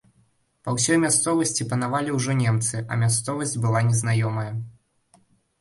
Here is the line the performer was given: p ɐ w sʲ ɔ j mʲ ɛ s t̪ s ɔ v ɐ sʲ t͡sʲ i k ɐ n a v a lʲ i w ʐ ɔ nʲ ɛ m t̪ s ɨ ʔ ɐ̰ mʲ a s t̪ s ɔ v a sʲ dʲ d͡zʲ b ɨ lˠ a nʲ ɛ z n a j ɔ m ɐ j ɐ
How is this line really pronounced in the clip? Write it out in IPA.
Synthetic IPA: p ɐ w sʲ ɔ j mʲ a s t̪ s ɔ v ɐ sʲ t͡sʲ i p ɐ n a v a lʲ i w ʐ ɔ nʲ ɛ m t̪ s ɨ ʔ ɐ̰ mʲ a s t̪ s ɔ v ɐ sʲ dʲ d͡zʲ b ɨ lˠ a nʲ ɛ z n a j ɔ m ɐ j ɐ